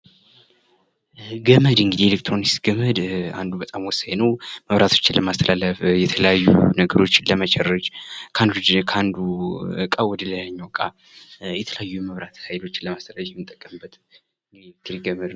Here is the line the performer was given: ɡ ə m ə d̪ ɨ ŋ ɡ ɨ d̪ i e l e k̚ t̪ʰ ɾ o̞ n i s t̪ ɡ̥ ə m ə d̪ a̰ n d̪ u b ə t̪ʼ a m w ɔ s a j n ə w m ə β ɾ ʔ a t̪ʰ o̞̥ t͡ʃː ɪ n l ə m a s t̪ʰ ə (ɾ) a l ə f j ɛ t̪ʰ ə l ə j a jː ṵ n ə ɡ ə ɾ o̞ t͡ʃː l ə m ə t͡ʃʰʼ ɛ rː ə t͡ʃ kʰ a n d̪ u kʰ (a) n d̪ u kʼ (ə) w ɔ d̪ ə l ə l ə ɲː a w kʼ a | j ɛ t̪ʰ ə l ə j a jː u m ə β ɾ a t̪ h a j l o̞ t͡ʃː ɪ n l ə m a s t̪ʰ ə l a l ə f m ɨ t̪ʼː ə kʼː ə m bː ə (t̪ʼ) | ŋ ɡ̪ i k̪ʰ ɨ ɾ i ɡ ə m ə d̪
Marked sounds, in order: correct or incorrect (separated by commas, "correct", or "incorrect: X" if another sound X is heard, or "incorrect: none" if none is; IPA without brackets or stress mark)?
incorrect: l, correct, incorrect: a, incorrect: t̪